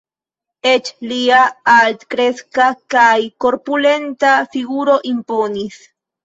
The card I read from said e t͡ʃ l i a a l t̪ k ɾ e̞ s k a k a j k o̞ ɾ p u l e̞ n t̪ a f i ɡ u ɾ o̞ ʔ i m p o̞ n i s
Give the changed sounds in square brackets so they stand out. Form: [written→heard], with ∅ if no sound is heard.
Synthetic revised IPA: e t͡ʃ l i a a l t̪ k ɾ e̞ s k a k a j k o̞ ɾ p u l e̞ n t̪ a f i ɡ u ɾ o̞ ʔ i m p o̞ n i s